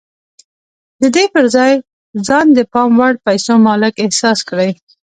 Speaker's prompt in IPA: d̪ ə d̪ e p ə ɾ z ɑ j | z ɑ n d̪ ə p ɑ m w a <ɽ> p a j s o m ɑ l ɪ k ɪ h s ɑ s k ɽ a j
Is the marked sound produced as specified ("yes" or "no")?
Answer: yes